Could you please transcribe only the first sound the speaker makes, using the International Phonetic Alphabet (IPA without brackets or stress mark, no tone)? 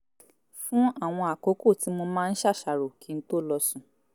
f